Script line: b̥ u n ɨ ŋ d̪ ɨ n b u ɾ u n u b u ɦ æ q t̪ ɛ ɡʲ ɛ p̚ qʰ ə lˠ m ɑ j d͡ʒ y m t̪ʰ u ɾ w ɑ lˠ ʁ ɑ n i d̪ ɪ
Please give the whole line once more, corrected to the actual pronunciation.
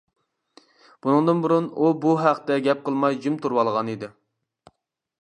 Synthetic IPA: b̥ u n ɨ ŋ d̪ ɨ n b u ɾ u n u b u ɦ æ q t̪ ɛ ɡʲ ɛ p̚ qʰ ə lˠ m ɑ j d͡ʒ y m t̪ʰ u ɾ w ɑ lˠ ʁ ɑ n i d̪ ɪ

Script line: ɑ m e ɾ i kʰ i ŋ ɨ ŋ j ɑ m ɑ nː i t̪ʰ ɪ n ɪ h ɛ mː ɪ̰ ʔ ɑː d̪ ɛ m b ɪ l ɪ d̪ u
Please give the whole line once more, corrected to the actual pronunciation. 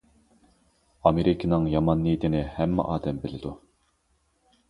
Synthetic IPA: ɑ m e ɾ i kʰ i n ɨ ŋ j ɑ m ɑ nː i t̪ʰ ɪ n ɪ h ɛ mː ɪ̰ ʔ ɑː d̪ ɛ m b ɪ l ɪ d̪ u

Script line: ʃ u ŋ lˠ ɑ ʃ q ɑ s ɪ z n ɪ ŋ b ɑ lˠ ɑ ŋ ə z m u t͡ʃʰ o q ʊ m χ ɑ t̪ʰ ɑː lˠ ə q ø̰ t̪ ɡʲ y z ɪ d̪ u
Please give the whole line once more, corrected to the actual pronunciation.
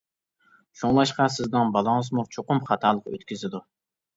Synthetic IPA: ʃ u ŋ lˠ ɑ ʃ q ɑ s ɪ z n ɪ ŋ b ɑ lˠ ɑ ŋ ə z m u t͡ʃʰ o q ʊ m χ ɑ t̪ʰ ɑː lˠ ə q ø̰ t̪ kʲ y z ɪ d̪ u

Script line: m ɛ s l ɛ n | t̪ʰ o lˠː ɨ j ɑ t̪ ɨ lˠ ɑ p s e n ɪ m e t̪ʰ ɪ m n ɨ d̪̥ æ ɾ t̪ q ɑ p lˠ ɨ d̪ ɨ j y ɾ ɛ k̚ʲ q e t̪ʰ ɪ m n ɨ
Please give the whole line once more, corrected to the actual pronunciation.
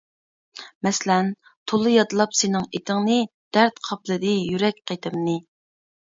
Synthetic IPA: m ɛ s l ɛ n | t̪ʰ o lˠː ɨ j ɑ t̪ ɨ lˠ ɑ p s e n ɪ ŋ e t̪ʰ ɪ ŋ n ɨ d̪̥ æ ɾ t̪ qʰ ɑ p lˠ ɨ d̪ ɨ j y ɾ ɛ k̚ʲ q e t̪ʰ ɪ m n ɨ

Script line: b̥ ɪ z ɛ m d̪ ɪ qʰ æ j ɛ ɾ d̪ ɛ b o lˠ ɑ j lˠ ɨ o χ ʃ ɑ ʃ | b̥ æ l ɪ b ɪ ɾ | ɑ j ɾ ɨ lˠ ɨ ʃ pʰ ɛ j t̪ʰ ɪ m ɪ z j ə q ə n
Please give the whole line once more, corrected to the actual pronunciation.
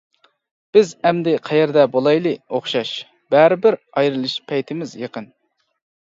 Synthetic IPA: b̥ ɪ z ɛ m d̪ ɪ qʰ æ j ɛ ɾ d̪ ɛ b o lˠ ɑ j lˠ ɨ o χ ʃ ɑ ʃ | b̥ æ ɾ ɪ b ɪ ɾ | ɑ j ɾ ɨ lˠ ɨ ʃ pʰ ɛ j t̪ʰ ɪ m ɪ z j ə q ə n

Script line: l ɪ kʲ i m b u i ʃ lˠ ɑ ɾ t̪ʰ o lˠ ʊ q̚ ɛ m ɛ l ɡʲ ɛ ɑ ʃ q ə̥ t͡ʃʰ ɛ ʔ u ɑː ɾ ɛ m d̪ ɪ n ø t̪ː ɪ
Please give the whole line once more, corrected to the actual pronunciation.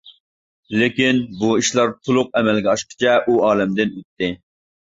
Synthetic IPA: l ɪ kʲ i n b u i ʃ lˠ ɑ ɾ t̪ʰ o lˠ ʊ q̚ ɛ m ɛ l ɡʲ ɛ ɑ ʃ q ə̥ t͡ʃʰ ɛ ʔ u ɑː l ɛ m d̪ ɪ n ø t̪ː ɪ

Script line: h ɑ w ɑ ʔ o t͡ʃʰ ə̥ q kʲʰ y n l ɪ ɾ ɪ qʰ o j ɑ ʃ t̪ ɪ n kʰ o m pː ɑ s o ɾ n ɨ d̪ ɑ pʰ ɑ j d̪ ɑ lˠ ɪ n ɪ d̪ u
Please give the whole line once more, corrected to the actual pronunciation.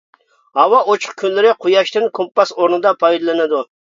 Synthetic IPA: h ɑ w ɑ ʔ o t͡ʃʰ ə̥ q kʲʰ y n l ɪ ɾ ɪ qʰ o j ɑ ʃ t̪ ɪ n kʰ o m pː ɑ s o ɾ n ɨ d̪ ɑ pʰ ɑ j d̪ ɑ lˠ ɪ n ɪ d̪ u

